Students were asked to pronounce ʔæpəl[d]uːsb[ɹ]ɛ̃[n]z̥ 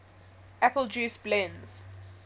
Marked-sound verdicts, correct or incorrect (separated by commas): incorrect, incorrect, correct